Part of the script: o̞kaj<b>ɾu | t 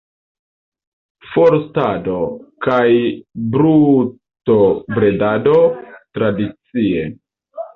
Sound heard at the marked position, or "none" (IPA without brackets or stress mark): b